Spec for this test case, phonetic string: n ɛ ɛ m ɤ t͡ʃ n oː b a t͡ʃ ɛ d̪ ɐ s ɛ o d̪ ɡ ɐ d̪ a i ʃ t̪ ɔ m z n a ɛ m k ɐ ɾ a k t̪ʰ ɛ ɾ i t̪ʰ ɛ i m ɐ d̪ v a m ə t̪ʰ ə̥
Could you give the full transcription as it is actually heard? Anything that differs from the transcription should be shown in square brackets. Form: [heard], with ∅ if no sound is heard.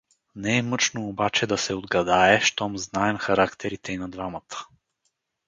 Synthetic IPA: n ɛ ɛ m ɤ t͡ʃ n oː b a t͡ʃ ɛ d̪ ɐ s ɛ o d̪ ɡ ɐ d̪ a [ɛ] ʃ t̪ ɔ m z n a ɛ m [x] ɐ ɾ a k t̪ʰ ɛ ɾ i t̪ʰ ɛ i [n] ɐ d̪ v a m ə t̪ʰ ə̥